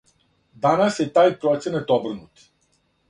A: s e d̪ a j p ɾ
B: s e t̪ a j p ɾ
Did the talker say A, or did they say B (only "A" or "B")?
B